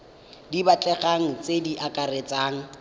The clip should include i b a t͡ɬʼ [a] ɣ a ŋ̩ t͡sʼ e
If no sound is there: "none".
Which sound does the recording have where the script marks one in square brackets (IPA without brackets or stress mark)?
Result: ɛ